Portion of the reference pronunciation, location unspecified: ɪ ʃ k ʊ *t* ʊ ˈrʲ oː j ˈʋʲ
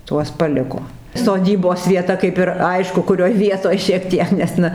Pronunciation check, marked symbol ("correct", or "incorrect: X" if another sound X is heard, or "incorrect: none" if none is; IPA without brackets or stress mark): incorrect: k